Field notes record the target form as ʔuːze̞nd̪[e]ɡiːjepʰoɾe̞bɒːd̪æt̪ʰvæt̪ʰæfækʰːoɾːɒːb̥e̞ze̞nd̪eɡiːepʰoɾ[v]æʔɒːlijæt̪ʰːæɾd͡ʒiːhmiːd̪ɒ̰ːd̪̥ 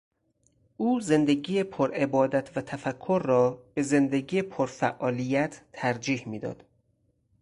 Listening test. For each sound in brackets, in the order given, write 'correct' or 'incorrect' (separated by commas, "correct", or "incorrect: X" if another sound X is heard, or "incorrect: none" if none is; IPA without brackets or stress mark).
correct, incorrect: f